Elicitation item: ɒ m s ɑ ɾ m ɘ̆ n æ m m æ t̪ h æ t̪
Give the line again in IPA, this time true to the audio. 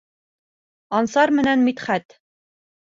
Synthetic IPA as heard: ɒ n s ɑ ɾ m ɘ̆ n æ n m i t̪ χ æ t̪